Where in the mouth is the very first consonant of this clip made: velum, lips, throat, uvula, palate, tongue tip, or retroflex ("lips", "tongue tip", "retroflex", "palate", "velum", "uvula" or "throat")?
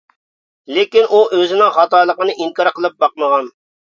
tongue tip